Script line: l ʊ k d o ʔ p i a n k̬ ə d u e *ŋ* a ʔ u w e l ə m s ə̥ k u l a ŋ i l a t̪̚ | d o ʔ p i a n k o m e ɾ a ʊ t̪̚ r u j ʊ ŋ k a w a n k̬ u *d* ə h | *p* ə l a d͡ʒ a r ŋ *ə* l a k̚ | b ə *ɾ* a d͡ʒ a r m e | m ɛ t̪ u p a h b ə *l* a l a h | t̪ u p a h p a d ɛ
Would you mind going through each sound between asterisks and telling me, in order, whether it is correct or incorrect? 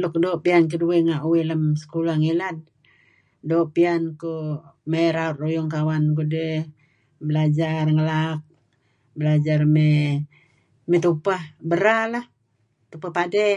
correct, correct, incorrect, correct, incorrect, incorrect

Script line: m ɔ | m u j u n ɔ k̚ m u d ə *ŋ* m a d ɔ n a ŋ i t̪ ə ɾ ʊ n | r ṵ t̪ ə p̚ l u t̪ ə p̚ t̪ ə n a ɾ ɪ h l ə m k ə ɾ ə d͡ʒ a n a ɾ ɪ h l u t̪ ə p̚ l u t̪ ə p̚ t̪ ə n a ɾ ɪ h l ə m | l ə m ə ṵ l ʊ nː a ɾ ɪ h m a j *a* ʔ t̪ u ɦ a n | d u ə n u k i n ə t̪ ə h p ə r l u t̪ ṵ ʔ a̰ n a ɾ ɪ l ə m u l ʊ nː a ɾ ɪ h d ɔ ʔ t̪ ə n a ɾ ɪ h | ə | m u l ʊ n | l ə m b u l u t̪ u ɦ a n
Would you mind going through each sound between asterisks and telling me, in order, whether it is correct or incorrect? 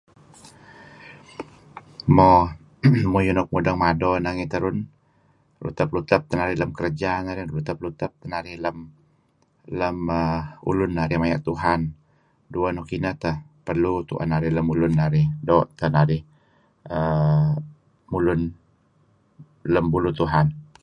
correct, correct

